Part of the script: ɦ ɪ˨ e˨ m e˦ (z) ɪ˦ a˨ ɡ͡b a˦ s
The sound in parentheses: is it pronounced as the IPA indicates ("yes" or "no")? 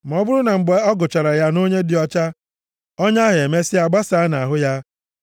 no